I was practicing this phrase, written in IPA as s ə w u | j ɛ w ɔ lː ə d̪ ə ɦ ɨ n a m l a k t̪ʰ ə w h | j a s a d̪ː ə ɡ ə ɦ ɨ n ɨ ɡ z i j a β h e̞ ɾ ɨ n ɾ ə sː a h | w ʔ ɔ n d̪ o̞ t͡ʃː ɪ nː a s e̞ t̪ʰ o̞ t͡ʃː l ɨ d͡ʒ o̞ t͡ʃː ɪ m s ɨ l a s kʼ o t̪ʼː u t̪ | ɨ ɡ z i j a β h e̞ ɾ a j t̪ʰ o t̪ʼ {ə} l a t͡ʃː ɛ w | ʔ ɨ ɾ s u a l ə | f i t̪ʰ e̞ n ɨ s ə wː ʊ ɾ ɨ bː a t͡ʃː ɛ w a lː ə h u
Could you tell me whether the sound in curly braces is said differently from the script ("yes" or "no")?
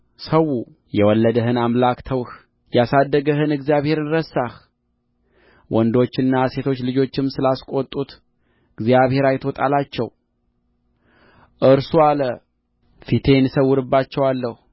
yes